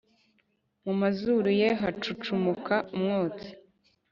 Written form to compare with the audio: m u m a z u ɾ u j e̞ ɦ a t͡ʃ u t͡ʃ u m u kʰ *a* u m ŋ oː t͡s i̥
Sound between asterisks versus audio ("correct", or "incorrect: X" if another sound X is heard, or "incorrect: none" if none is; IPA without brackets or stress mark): correct